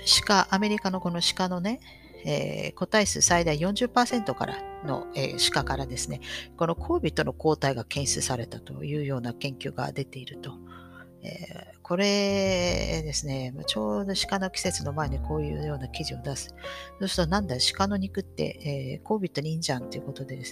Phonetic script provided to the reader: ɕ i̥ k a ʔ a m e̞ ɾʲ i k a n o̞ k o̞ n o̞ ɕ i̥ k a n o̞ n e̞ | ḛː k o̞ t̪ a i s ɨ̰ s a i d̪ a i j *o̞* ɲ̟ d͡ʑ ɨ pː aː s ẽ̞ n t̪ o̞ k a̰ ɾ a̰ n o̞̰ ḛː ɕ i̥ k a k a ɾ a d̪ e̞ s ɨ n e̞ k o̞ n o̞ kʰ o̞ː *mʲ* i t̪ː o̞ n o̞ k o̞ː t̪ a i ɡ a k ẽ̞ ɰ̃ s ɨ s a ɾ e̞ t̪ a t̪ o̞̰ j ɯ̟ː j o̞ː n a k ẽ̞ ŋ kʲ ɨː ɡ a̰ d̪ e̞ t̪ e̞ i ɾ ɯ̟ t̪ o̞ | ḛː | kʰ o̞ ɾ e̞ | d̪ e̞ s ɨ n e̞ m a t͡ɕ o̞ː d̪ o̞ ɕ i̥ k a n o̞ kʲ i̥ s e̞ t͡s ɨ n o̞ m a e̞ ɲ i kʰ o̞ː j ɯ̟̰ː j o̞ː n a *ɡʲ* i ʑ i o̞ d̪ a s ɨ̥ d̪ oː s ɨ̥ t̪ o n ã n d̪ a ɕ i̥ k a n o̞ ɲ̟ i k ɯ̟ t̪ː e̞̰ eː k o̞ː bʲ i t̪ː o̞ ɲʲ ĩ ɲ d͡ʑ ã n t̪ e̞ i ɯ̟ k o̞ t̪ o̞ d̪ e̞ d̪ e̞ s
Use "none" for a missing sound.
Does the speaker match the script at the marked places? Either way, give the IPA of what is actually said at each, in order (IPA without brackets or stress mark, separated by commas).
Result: õ̞, bʲ, kʲ